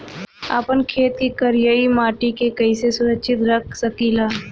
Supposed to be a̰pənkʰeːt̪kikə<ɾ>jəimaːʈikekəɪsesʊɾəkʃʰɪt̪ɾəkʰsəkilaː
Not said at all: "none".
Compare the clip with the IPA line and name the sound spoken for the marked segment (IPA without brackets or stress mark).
ɾ